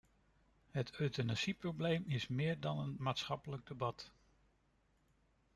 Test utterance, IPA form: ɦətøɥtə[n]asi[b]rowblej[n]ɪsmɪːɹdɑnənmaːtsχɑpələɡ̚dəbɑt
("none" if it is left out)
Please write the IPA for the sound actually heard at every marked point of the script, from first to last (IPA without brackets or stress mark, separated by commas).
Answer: n, p, m